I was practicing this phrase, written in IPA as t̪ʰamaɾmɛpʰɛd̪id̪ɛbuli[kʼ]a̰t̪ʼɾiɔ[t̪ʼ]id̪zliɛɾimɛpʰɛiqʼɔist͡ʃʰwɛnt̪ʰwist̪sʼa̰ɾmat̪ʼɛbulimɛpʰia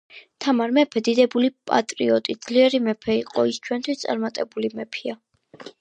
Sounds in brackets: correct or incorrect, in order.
incorrect: pʼ, correct

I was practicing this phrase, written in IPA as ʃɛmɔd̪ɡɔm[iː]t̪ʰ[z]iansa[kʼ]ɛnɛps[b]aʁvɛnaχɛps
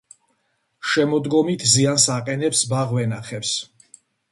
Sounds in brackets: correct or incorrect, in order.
incorrect: i, correct, incorrect: qʼ, correct

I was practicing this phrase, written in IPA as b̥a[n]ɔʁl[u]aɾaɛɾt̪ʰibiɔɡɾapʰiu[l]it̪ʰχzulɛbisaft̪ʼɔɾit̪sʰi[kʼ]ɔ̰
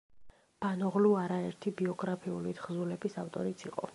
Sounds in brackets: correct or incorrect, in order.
correct, correct, correct, incorrect: qʼ

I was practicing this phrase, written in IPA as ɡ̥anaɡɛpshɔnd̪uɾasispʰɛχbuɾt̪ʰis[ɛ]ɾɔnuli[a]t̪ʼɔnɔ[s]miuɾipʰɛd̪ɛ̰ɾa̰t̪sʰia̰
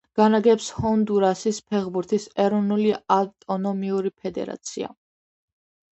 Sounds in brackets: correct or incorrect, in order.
correct, correct, incorrect: none

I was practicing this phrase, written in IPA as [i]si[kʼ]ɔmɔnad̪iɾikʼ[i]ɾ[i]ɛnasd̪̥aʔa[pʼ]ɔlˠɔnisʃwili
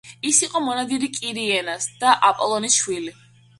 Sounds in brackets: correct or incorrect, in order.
correct, incorrect: qʼ, correct, correct, correct

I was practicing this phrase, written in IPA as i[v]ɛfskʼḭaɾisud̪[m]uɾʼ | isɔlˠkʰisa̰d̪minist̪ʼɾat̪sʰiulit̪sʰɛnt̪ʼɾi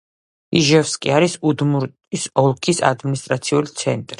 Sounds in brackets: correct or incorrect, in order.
incorrect: ʒ, correct

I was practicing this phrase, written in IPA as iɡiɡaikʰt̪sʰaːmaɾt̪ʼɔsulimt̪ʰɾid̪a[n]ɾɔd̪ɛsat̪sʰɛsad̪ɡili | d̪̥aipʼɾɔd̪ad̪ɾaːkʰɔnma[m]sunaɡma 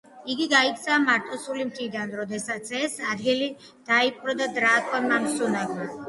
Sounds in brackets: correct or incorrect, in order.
correct, correct

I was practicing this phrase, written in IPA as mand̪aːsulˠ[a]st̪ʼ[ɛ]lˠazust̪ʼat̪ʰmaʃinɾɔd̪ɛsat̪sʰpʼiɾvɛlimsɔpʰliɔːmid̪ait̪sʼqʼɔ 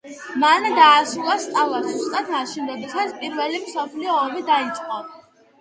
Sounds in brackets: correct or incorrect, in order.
correct, incorrect: a

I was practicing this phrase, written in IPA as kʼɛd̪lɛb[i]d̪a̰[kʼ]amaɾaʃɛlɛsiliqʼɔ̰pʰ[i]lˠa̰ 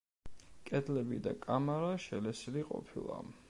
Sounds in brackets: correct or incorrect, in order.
correct, correct, correct

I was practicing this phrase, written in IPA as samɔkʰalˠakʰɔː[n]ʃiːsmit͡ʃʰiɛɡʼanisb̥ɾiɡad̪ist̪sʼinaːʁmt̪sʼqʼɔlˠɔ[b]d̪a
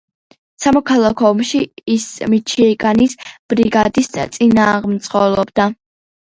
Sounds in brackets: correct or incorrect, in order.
incorrect: m, correct

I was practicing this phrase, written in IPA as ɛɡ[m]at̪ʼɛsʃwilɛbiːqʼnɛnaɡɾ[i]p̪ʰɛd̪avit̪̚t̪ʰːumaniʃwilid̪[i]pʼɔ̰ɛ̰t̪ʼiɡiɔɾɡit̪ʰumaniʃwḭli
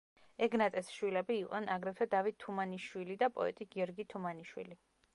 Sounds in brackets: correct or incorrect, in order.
incorrect: n, incorrect: ɛ, incorrect: a

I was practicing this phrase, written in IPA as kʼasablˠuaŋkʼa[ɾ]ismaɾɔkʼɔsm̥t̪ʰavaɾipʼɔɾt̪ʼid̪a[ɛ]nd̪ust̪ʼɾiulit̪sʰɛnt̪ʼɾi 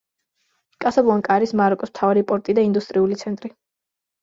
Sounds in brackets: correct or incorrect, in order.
correct, incorrect: i

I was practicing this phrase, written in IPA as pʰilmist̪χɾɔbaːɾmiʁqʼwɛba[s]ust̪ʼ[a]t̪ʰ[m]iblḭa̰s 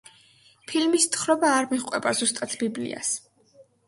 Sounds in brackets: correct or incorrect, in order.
incorrect: z, correct, incorrect: b

